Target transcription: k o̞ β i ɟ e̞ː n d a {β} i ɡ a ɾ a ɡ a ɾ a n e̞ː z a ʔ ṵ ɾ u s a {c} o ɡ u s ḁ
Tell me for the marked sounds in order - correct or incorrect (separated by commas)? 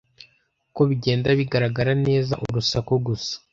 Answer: correct, incorrect